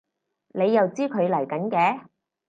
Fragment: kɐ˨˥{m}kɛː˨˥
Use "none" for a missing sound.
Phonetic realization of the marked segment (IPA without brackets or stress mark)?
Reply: n